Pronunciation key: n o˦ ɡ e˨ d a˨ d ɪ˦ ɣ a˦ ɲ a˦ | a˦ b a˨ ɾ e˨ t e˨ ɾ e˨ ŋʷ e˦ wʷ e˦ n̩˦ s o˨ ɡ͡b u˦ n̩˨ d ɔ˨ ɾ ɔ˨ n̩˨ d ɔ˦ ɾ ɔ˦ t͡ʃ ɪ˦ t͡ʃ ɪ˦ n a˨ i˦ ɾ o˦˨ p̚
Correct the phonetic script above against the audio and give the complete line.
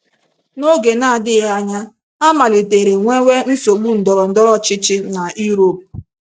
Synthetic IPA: n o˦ ɡ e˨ n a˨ d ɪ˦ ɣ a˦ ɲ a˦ | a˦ m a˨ l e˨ t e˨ ɾ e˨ ŋʷ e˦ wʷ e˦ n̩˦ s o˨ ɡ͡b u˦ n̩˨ d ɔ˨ ɾ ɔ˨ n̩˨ d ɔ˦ ɾ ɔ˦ t͡ʃ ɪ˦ t͡ʃ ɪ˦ n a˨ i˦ ɾ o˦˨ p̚

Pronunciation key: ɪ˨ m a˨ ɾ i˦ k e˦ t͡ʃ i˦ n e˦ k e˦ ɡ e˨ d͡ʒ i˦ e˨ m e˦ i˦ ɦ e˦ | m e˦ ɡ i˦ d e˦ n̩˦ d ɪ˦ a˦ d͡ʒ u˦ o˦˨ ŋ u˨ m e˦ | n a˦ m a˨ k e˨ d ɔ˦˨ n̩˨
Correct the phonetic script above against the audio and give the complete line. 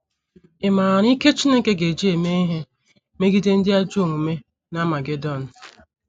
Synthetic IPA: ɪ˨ m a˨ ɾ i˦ k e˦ t͡ʃ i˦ n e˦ k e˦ ɡ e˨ d͡ʒ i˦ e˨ m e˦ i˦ ɦ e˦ | m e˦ ɡ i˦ d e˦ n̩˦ d ɪ˦ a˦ d͡ʒ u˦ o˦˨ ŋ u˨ m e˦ | n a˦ m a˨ ɡ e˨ d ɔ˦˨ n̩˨

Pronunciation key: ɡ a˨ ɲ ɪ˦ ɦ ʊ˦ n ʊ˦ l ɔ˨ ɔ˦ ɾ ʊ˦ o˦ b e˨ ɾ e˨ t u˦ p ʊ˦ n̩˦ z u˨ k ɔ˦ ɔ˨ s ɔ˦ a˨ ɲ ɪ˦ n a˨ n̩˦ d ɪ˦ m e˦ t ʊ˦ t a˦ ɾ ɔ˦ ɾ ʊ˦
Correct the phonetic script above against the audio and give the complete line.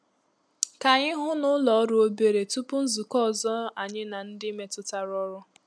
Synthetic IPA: k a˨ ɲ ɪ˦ ɦ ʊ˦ n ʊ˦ l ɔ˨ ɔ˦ ɾ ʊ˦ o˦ b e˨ ɾ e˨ t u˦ p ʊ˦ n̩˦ z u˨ k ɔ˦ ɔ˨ z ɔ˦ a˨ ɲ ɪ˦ n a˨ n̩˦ d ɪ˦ m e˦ t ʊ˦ t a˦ ɾ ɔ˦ ɾ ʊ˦

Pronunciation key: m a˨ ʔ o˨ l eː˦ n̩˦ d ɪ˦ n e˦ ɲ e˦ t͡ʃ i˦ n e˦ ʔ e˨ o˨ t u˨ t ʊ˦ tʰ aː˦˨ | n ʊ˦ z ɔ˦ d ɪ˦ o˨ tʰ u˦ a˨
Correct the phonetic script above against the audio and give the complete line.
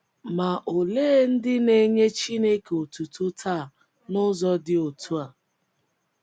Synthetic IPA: m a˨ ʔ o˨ l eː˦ n̩˦ d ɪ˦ n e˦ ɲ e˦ t͡ʃ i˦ n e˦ k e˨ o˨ t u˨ t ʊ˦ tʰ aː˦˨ | n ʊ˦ z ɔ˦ d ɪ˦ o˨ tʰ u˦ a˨

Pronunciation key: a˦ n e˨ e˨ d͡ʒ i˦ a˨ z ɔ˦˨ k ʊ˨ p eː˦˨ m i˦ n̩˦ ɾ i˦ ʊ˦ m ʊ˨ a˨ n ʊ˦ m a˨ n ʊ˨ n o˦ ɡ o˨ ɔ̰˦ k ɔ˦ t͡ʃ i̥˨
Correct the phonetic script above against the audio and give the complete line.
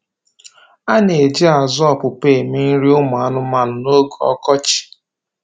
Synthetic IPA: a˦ n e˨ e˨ d͡ʒ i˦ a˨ z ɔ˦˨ p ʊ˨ p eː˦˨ m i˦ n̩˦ ɾ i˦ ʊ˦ m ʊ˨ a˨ n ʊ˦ m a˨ n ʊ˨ n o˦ ɡ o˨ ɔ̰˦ k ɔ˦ t͡ʃ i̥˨

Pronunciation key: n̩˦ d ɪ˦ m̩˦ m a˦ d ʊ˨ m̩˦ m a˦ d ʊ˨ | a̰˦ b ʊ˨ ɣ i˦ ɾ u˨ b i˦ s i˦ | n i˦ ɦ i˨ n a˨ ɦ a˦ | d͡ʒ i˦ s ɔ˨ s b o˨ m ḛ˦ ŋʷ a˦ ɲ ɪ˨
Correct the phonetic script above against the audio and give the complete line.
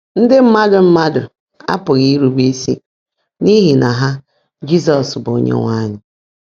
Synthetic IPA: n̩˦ d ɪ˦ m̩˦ m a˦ d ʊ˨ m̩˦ m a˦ d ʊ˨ | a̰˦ p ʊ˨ ɣ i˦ ɾ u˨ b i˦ s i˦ | n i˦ ɦ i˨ n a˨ ɦ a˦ | d͡ʒ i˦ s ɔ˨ s b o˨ ɲ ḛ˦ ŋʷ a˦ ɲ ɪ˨

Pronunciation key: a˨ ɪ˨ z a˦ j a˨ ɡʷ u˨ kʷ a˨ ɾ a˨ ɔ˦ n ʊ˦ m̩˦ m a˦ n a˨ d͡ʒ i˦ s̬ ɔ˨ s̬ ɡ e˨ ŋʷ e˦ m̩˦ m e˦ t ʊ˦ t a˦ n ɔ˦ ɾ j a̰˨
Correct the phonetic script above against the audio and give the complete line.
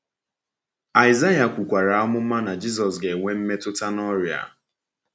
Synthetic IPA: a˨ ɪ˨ z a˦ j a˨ kʷ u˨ kʷ a˨ ɾ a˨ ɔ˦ m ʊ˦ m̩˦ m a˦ n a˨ d͡ʒ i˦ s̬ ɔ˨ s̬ ɡ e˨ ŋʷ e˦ m̩˦ m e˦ t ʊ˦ t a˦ n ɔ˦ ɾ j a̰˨

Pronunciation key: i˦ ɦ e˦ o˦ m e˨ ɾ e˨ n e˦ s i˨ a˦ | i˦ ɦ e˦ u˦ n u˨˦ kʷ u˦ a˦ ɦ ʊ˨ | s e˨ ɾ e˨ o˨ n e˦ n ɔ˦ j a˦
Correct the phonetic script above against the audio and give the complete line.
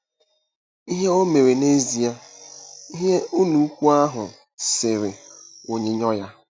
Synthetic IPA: i˦ ɦ e˦ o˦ m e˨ ɾ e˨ n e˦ z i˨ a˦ | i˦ ɦ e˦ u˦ n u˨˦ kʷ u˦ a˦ ɦ ʊ˨ | s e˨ ɾ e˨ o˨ ɲ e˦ ɲ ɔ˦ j a˦

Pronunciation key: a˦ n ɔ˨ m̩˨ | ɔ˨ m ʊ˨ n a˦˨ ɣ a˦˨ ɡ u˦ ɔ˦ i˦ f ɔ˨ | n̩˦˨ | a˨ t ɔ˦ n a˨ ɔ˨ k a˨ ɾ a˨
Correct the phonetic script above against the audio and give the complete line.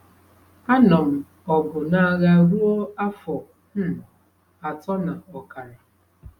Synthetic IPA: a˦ n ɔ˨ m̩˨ | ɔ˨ b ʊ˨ n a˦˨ ɣ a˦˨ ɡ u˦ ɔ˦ a˦ f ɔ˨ | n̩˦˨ | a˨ t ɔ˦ n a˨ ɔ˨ k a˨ ɾ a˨

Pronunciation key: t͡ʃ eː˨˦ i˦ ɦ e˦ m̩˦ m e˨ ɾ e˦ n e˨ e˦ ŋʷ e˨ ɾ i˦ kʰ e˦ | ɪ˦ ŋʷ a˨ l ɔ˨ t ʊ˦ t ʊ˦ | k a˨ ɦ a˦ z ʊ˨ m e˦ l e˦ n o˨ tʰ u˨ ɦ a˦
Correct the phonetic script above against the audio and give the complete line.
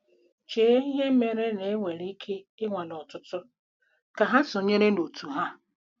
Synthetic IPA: t͡ʃ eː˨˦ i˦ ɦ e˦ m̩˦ m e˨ ɾ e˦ n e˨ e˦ ŋʷ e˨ ɾ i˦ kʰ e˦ | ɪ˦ ŋʷ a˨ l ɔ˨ t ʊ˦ t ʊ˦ | k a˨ ɦ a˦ s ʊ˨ ɲ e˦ ɾ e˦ n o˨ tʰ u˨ ɦ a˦

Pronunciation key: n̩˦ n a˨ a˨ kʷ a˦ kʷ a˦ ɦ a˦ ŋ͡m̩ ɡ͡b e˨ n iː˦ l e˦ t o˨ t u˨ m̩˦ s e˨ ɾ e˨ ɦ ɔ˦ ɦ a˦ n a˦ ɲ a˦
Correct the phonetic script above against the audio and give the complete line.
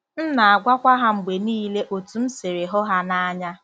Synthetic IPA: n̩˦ n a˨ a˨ ɡʷ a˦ kʷ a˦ ɦ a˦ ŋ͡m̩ ɡ͡b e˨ n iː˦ l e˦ ʔ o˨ t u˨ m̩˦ s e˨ ɾ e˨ ɦ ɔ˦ ɦ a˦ n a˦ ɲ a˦

